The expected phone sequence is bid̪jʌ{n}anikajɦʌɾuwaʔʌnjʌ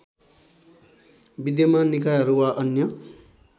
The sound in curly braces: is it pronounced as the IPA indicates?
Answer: no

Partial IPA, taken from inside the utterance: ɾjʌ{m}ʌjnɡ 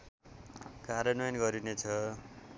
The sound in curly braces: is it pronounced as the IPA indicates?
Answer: no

